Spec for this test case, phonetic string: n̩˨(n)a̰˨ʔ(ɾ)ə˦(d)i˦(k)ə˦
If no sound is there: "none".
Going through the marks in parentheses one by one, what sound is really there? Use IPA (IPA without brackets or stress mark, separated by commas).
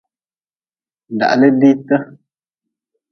d, l, d, t